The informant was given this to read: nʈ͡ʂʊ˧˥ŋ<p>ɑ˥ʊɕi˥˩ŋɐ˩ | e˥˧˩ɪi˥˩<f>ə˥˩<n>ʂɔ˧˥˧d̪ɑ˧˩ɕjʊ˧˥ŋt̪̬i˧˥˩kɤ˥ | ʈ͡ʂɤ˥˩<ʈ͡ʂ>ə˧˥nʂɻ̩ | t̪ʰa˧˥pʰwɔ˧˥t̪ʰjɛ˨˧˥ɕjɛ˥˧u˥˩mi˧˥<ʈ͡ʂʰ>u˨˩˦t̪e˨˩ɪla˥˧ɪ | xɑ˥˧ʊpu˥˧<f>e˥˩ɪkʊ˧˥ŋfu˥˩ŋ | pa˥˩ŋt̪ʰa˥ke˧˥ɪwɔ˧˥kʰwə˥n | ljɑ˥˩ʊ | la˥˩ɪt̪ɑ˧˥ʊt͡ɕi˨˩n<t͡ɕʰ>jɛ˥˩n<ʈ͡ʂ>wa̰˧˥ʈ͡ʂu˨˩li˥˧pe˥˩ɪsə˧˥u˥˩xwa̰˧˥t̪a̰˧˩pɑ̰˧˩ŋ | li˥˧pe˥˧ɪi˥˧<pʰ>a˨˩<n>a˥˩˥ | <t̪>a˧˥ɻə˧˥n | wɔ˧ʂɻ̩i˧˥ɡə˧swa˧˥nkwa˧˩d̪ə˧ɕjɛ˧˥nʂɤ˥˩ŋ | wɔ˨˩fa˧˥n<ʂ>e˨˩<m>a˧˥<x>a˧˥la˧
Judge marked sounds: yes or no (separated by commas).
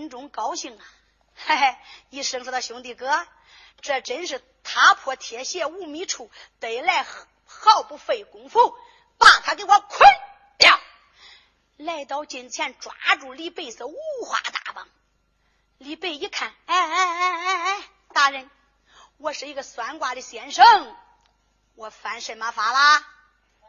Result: no, no, no, yes, yes, yes, yes, yes, no, yes, yes, yes, yes, no